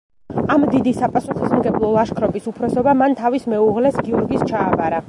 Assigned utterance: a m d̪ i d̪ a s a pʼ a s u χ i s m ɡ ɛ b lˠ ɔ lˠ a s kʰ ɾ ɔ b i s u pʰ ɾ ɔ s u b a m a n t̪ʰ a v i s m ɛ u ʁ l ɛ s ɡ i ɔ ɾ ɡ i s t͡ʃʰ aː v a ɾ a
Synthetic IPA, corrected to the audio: a m d̪ i d̪ i s a pʼ a s u χ i s m ɡ ɛ b lˠ ɔ lˠ a ʃ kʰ ɾ ɔ b i s u pʰ ɾ ɔ s ɔ b a m a n t̪ʰ a v i s m ɛ u ʁ l ɛ s ɡ i ɔ ɾ ɡ i s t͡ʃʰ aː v a ɾ a